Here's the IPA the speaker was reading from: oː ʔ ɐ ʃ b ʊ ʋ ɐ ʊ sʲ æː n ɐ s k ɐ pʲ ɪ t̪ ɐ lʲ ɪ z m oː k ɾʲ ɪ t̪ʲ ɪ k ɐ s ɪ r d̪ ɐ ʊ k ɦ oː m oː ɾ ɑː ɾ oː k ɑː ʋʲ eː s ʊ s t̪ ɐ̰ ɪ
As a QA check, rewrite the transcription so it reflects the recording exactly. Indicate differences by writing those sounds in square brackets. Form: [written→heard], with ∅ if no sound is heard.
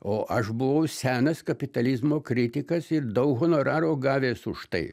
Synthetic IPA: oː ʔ ɐ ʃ b ʊ ʋ ɐ ʊ sʲ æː n ɐ s k ɐ pʲ ɪ t̪ ɐ lʲ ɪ z m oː k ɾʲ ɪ t̪ʲ ɪ k ɐ s ɪ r d̪ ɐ ʊ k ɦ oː [m→n] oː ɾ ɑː ɾ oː [k→ɡ] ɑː ʋʲ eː s ʊ [s→ʃ] t̪ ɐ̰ ɪ